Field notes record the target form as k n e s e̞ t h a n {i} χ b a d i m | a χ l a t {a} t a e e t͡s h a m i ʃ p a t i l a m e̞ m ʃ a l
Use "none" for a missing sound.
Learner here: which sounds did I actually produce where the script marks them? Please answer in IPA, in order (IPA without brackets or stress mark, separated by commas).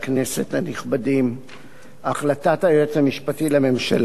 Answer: i, a